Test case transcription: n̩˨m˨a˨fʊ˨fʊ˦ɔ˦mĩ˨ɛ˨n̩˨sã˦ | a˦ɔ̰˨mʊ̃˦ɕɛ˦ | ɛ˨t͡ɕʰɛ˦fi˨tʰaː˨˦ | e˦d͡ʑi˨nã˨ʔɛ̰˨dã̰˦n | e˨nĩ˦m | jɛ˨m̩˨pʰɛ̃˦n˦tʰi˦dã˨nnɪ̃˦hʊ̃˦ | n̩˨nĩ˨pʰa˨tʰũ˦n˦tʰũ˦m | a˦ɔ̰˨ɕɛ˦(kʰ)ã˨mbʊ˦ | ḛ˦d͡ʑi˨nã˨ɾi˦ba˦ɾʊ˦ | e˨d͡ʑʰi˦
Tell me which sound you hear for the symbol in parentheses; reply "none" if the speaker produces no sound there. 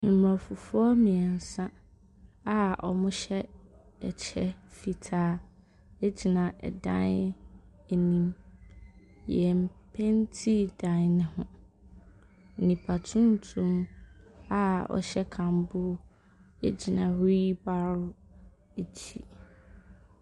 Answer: kʰ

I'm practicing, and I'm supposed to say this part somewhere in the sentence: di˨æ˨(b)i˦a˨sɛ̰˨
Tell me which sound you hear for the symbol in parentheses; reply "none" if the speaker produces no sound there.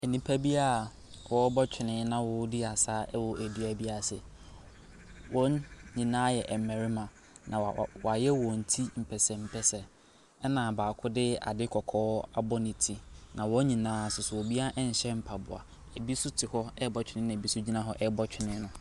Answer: b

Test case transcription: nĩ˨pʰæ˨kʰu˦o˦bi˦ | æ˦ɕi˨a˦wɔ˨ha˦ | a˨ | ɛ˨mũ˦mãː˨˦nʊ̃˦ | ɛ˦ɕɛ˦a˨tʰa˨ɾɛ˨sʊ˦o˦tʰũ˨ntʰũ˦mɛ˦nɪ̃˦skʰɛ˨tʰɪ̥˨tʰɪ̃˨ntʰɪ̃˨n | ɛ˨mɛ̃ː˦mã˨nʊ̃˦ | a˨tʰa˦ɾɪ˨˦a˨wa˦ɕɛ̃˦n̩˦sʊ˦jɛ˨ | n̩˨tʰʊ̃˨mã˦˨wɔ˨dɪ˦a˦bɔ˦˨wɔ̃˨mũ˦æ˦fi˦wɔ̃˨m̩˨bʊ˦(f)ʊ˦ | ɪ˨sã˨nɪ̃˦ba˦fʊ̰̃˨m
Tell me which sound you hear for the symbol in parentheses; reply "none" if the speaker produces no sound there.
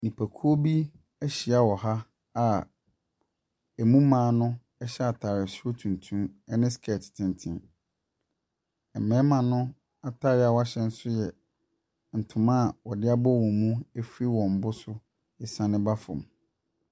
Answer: s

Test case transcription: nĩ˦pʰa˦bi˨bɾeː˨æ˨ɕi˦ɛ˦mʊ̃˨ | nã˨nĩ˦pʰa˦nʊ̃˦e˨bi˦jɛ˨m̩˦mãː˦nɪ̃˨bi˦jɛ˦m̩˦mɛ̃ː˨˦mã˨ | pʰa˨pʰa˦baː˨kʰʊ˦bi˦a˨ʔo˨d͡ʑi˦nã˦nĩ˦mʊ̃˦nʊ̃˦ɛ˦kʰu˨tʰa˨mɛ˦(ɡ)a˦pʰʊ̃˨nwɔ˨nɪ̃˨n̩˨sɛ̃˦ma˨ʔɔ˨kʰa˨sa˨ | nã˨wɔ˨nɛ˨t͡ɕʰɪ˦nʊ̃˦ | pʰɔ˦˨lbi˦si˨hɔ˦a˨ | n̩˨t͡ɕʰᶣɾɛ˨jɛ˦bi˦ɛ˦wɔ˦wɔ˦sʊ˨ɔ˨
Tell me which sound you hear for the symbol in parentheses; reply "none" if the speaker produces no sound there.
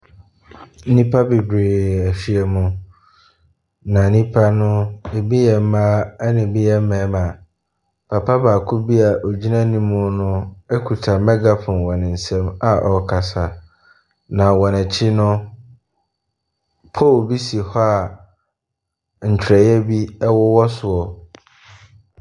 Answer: ɡ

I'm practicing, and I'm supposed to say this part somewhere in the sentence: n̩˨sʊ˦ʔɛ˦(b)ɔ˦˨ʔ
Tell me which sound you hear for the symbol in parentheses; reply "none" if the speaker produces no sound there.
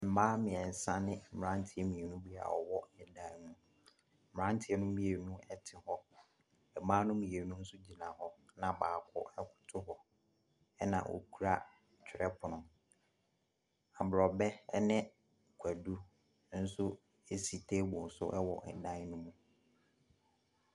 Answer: w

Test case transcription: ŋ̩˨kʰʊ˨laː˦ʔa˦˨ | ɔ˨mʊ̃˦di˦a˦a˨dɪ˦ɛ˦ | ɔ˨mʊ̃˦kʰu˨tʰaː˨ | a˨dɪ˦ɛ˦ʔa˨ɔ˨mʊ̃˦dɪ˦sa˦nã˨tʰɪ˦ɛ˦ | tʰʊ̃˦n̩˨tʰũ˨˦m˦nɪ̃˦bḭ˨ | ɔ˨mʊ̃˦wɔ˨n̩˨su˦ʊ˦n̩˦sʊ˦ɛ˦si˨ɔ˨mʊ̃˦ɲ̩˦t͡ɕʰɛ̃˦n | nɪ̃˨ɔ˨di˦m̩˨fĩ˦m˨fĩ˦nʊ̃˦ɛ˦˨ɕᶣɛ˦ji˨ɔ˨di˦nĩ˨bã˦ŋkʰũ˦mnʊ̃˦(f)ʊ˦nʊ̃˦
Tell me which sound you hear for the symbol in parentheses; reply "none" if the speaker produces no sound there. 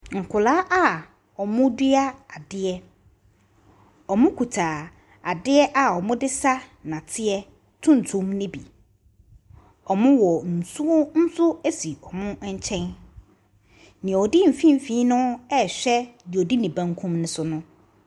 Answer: s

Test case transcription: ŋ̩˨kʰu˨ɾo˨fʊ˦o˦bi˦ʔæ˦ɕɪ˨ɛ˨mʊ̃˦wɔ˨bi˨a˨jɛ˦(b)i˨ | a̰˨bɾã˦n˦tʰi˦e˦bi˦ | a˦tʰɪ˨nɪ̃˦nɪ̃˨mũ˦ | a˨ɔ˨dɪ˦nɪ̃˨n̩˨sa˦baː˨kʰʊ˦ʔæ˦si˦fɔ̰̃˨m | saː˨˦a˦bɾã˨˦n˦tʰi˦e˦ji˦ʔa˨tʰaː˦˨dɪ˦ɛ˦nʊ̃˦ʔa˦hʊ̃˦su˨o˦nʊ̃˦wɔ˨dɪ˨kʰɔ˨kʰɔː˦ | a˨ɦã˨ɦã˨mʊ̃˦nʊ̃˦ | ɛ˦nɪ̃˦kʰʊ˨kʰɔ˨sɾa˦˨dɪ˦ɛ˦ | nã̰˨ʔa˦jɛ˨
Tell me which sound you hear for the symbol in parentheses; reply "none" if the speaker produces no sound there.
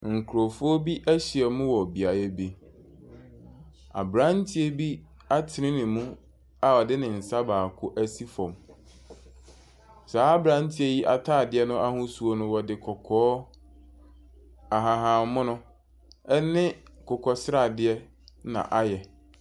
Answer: b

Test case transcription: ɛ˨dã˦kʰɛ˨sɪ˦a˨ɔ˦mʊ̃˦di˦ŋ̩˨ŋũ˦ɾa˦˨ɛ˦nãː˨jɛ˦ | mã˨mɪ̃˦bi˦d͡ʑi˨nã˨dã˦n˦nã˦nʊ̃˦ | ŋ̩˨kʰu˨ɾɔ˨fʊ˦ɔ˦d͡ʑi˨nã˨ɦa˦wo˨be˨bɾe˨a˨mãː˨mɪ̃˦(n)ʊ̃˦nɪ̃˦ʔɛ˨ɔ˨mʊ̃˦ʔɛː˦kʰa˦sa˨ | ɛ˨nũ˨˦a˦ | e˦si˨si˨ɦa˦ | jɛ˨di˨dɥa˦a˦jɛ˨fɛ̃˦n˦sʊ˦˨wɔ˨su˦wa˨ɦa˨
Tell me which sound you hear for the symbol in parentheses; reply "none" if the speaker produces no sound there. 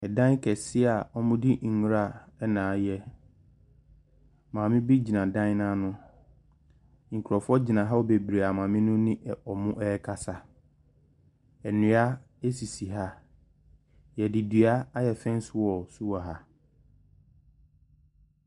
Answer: n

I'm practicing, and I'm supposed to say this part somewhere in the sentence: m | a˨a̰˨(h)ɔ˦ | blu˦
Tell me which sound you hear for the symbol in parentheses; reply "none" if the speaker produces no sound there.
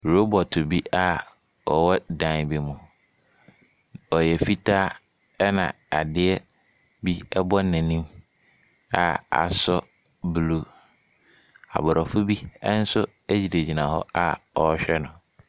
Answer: s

